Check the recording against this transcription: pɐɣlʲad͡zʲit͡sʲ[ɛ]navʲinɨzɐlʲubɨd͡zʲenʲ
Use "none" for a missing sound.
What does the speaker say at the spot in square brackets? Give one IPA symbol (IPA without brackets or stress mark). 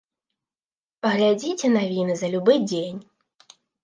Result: ɛ